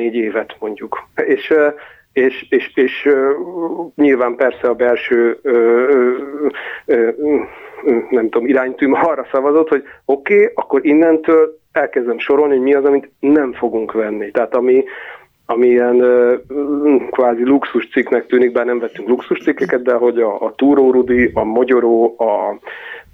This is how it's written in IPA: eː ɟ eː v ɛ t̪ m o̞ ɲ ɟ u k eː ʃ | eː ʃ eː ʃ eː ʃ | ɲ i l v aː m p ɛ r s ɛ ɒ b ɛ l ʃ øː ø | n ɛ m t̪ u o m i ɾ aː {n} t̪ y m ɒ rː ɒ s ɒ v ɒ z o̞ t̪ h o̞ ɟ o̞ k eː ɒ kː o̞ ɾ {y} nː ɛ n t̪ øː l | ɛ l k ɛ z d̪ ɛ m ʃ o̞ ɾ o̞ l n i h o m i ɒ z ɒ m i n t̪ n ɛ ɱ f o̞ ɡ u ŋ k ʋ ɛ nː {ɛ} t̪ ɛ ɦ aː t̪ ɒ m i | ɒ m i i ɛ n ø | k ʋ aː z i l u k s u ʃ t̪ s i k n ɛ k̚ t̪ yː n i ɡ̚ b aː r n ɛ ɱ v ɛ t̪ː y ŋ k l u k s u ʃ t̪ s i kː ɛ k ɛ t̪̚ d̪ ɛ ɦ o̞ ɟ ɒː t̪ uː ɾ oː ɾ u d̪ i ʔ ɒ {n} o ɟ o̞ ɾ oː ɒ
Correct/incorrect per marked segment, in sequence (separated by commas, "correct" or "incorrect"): incorrect, incorrect, incorrect, incorrect